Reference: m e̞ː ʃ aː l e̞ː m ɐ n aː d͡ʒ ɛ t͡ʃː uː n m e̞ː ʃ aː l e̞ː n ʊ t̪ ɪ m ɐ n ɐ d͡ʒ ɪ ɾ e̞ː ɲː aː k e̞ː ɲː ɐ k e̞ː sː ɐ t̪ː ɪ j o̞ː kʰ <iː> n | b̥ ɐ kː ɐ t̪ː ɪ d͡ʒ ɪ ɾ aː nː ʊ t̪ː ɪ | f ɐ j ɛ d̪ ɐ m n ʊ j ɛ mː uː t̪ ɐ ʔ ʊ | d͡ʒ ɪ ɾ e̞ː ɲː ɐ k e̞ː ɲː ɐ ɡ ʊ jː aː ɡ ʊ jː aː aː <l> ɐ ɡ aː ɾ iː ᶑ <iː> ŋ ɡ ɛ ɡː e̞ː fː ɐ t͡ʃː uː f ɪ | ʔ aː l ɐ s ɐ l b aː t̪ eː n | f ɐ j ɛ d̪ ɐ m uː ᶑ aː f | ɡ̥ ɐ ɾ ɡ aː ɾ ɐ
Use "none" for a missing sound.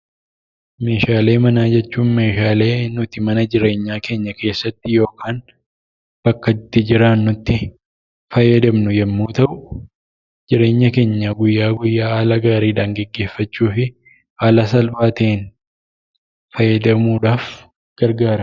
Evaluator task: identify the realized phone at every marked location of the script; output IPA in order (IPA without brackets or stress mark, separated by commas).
aː, l, aː